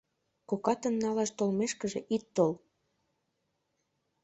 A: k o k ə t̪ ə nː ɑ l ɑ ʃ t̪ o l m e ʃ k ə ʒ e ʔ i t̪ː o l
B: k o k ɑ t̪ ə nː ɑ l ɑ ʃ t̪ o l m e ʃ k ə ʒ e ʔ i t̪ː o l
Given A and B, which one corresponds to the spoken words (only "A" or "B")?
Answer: B